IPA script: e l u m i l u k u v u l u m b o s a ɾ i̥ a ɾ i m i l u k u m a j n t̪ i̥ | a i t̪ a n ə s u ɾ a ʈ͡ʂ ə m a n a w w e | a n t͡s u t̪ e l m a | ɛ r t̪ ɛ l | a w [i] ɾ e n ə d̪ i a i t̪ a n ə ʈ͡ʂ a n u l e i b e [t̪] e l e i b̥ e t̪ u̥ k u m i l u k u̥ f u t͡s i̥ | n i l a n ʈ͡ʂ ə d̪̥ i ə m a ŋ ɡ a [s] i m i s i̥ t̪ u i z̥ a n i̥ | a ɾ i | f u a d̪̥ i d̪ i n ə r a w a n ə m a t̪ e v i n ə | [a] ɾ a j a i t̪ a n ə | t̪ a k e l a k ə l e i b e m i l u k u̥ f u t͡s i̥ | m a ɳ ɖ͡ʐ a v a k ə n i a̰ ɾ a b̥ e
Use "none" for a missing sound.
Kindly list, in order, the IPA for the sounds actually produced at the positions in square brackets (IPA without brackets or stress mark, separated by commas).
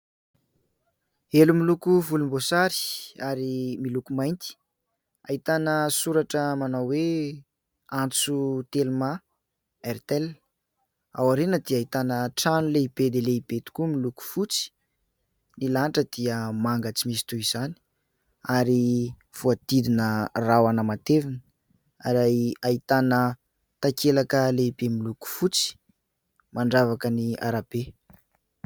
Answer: a, d̪, t͡s, a